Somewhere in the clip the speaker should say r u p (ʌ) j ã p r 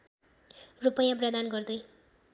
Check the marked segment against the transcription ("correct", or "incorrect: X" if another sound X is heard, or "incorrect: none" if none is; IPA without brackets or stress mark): correct